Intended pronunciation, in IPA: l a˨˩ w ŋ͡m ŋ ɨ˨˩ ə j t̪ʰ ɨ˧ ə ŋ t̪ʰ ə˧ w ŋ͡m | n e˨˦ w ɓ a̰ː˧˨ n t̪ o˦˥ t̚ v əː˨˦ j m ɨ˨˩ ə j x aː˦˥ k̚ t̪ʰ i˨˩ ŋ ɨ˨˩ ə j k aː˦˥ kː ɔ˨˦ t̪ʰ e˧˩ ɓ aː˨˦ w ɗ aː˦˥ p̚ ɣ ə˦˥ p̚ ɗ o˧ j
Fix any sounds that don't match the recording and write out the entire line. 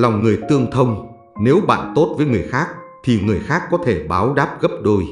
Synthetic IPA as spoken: l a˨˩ w ŋ͡m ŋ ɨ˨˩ ə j t̪ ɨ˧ ə ŋ t̪ʰ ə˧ w ŋ͡m | n e˨˦ w ɓ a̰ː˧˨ n t̪ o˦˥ t̚ v əː˨˦ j ŋ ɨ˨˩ ə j x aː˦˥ k̚ t̪ʰ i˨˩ ŋ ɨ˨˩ ə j x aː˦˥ kː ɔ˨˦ t̪ʰ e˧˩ ɓ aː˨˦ w ɗ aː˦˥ p̚ ɣ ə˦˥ p̚ ɗ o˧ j